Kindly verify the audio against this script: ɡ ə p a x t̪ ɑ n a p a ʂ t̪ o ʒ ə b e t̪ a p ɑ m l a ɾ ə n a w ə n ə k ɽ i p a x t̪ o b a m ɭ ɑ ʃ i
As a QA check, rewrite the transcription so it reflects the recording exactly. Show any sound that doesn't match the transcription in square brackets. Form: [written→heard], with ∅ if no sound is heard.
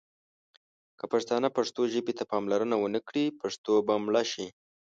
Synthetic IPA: [ɡ→k] ə p a [x→ʂ] t̪ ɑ n a p a ʂ t̪ o ʒ ə b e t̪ a p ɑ m l a ɾ ə n a w ə n ə k ɽ i p a [x→ʂ] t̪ o b a m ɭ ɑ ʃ i